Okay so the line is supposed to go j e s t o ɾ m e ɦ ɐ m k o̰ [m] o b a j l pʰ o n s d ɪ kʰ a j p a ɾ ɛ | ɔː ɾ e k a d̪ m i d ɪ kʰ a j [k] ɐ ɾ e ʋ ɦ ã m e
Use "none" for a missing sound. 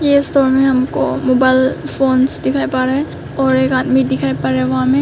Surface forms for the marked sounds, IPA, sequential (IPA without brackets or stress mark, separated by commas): m, p